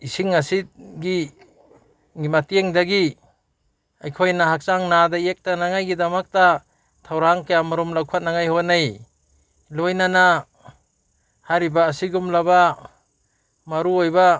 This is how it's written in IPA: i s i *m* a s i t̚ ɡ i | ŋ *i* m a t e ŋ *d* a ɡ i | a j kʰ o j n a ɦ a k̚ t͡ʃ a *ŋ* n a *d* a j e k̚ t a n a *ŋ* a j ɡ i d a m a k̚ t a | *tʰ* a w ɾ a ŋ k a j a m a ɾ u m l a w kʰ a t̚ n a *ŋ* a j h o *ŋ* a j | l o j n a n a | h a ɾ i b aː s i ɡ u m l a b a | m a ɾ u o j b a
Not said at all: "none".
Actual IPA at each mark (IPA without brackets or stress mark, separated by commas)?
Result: ŋ, i, d, ŋ, d, ŋ, tʰ, ŋ, n